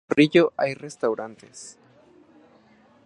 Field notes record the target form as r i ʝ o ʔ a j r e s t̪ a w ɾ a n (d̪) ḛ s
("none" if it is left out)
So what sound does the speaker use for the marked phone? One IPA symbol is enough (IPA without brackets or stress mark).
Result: t̪